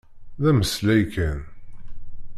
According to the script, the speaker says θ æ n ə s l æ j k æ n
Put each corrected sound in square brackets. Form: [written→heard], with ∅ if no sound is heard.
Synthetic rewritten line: [θ→ð] æ [n→m] ə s l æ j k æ n